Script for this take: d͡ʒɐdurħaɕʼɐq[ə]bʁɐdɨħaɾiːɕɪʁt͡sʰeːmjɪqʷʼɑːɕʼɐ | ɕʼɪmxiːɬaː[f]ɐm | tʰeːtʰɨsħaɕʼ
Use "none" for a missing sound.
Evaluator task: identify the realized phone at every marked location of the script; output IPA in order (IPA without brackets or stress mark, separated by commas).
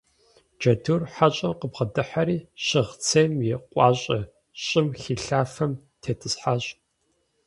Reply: ə, f